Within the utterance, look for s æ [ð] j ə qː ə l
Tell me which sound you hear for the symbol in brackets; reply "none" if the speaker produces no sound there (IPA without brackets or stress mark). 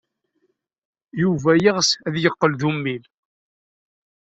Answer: ð